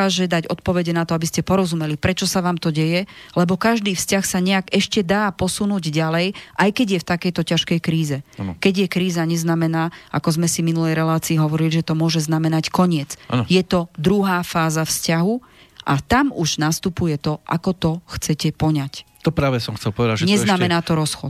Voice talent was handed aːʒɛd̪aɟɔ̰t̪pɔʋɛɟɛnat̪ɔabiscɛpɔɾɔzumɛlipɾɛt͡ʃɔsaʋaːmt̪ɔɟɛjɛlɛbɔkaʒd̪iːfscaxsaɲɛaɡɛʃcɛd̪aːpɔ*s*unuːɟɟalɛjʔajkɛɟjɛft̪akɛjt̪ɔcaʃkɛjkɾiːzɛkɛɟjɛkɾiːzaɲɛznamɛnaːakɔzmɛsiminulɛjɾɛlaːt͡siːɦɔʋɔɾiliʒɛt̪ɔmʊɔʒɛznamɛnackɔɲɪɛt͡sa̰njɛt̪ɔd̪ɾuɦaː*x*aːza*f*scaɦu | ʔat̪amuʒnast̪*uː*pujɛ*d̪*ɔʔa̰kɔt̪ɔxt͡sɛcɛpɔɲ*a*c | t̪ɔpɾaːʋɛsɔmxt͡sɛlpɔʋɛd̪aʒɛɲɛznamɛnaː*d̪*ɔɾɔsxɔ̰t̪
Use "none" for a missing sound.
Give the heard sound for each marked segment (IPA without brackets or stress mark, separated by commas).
s, f, f, u, t̪, a, t̪